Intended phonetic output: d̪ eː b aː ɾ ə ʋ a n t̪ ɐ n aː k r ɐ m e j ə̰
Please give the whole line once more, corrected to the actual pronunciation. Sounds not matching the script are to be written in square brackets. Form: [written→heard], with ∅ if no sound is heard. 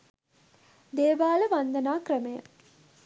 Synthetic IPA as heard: d̪ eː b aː [ɾ→l] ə ʋ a n [t̪→d̪] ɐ n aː k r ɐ m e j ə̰